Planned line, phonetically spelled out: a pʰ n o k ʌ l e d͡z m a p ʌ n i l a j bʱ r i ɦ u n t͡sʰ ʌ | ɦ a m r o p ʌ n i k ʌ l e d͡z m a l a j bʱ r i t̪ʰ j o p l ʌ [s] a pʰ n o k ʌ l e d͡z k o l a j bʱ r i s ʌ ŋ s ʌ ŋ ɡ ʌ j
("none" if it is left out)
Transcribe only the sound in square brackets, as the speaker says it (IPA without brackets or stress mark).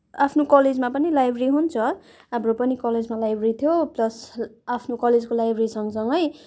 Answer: s